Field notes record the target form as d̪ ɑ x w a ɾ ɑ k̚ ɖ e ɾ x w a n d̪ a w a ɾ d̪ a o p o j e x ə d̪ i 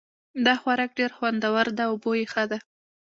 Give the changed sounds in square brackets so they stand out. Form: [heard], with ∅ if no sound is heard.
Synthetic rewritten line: d̪ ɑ x w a ɾ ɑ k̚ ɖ e ɾ x w a n d̪ a w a ɾ d̪ a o [b] o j e x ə d̪ [a]